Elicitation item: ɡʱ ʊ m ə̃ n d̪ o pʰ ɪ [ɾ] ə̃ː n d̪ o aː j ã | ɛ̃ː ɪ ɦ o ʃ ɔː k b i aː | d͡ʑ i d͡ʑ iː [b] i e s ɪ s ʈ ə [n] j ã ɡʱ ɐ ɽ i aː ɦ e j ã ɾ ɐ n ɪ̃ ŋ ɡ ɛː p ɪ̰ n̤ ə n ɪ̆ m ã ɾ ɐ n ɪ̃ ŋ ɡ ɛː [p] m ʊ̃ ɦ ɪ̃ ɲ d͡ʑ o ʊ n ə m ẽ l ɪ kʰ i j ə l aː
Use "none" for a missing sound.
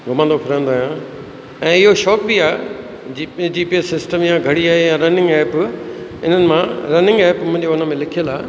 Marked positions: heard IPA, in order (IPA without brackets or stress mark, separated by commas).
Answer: ɾ, p, m, p